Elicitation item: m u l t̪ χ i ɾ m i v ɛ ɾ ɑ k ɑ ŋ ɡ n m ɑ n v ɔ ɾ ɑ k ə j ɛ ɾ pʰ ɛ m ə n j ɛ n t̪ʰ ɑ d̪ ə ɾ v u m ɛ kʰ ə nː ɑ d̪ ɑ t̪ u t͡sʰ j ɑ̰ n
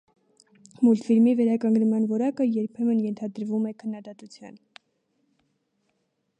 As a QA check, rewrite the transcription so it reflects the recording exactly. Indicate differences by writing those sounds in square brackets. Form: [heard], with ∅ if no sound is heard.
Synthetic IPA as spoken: m u l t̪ [f] i ɾ m i v ɛ ɾ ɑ k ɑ ŋ ɡ n m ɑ n v ɔ ɾ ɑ k ə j ɛ ɾ pʰ ɛ m ə n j ɛ n t̪ʰ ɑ d̪ ə ɾ v u m ɛ kʰ ə nː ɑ d̪ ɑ t̪ u t͡sʰ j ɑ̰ n